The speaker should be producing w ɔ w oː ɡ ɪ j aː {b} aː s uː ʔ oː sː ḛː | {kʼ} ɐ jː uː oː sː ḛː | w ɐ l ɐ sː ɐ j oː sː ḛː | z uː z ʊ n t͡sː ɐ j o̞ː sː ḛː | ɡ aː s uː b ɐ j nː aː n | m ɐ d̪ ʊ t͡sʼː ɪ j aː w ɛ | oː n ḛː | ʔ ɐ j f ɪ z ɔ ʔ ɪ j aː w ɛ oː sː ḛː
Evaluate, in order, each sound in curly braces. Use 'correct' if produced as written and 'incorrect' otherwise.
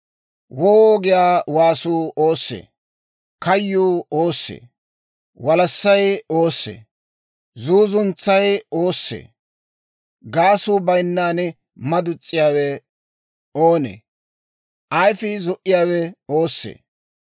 incorrect: w, incorrect: k

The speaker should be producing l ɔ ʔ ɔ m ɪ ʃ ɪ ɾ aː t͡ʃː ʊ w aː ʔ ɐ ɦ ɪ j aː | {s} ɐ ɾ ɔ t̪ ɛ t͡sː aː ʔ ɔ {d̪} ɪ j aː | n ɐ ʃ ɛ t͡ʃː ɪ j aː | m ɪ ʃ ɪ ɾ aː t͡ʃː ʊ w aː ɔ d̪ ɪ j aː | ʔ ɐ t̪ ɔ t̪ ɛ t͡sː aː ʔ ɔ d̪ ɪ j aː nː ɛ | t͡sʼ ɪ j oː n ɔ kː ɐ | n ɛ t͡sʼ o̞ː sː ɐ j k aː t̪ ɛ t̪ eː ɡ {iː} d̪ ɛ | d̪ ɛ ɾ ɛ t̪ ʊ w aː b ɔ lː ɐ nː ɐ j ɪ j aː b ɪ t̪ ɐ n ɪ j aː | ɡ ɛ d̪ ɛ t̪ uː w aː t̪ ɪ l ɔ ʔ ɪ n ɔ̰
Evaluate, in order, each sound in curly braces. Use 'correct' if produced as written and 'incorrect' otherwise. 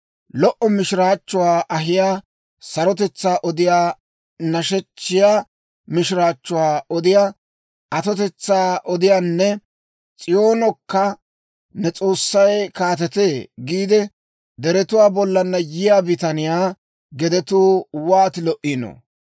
correct, correct, correct

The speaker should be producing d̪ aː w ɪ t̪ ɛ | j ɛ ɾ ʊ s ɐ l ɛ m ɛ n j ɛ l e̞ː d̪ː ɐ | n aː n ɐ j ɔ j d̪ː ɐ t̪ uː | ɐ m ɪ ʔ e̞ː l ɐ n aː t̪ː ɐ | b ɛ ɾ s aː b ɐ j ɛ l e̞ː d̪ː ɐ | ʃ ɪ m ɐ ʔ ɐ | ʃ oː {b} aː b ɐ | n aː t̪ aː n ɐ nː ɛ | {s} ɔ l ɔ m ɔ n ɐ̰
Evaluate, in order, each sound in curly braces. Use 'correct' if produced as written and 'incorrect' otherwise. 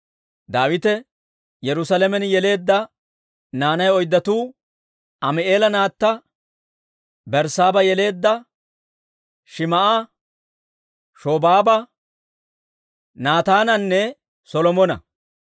correct, correct

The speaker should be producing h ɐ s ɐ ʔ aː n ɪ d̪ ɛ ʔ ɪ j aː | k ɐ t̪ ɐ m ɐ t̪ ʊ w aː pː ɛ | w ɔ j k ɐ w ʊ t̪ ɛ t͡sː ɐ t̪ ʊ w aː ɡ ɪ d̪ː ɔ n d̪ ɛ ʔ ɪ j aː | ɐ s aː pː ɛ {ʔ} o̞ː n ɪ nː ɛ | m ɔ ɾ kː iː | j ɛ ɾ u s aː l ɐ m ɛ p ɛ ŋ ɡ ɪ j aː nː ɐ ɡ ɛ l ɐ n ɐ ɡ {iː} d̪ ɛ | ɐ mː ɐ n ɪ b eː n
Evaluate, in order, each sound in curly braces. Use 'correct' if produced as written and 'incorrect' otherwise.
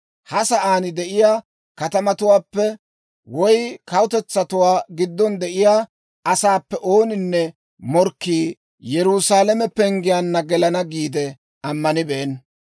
correct, correct

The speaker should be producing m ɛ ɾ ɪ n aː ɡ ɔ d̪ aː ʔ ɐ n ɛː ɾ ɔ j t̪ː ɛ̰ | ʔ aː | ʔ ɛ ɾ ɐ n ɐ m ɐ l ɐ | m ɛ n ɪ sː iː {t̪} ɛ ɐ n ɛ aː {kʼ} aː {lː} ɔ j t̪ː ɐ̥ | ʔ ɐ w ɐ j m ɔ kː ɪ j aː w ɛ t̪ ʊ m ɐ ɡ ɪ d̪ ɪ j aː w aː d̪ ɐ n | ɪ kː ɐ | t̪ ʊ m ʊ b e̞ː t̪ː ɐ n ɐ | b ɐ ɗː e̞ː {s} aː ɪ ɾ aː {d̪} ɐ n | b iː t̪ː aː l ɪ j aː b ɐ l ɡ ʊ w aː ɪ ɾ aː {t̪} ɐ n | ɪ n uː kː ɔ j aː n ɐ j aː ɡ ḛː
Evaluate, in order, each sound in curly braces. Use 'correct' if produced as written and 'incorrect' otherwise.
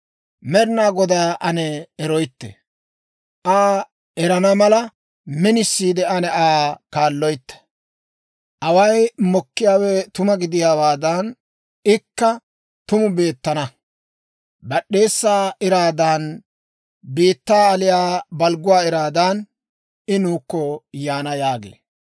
incorrect: d̪, incorrect: k, correct, incorrect: sː, correct, incorrect: d̪

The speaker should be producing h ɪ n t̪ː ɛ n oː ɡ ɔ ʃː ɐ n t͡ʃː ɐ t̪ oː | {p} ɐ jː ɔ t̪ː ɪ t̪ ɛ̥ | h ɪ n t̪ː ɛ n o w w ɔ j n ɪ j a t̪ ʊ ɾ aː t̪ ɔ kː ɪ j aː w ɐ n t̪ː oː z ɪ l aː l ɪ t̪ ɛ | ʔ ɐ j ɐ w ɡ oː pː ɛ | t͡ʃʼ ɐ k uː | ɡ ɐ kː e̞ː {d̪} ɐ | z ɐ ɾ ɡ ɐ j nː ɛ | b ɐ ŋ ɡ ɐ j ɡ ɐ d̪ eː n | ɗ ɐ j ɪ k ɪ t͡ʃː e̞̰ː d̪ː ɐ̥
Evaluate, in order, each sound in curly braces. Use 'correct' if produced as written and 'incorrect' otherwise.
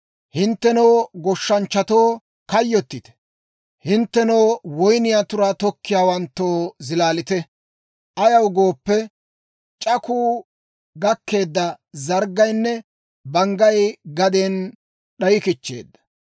incorrect: k, incorrect: d̪ː

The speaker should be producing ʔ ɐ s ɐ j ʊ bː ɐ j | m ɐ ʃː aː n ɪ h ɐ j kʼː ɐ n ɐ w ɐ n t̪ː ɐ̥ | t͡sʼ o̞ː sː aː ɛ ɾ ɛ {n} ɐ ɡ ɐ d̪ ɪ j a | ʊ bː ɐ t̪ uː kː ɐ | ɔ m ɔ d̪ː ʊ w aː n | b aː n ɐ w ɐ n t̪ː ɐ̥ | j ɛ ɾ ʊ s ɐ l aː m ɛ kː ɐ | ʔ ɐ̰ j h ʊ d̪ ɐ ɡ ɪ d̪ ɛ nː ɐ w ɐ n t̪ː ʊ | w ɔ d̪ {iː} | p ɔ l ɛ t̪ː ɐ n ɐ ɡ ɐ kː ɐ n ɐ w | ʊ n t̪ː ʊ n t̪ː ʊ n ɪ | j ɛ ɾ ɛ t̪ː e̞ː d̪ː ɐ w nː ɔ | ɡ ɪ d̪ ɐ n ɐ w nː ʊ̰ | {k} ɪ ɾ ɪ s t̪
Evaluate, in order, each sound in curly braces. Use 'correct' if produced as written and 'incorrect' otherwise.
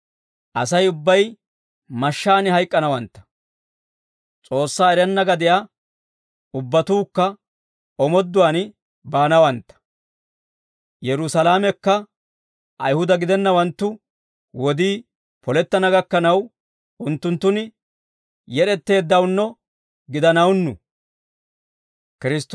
incorrect: nː, correct, correct

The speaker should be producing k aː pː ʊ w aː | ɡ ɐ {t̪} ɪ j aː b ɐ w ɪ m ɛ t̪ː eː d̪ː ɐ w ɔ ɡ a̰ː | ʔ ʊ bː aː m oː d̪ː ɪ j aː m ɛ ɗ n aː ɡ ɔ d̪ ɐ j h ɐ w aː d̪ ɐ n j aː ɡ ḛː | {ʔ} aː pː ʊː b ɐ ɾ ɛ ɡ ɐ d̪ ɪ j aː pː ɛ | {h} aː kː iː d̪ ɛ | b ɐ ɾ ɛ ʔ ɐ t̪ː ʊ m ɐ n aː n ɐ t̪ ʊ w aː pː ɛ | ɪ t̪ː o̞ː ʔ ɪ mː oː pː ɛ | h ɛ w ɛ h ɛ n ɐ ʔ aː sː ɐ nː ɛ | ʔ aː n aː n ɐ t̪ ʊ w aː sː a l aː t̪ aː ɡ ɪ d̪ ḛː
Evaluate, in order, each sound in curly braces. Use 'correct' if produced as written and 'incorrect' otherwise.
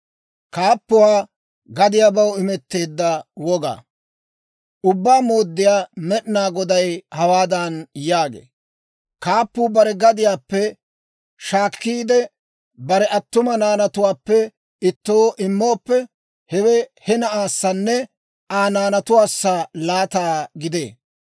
incorrect: d̪, incorrect: k, incorrect: ʃ

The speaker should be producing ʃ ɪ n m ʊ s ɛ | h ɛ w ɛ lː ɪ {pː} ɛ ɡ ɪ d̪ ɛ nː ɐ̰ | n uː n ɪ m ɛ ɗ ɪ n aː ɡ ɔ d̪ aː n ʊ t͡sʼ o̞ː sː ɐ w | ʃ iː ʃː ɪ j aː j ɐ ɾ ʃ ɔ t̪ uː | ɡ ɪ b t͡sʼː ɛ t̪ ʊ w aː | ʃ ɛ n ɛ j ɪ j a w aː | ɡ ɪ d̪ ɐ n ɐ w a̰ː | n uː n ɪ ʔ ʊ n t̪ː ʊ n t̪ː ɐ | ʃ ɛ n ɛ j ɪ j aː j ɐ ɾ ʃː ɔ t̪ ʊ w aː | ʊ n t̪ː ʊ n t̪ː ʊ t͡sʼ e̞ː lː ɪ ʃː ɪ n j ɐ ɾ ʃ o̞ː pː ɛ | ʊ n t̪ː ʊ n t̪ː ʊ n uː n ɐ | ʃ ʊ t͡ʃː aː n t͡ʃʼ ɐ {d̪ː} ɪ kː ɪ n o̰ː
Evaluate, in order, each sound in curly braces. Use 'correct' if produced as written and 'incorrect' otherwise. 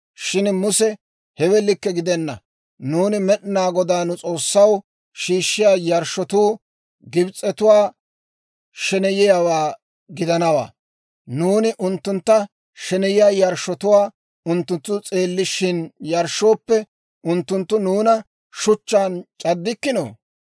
incorrect: kː, correct

